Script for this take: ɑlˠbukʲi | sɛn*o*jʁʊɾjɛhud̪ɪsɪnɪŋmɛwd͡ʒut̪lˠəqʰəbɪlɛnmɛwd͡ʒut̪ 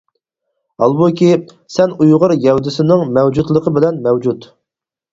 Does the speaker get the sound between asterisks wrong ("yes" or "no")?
yes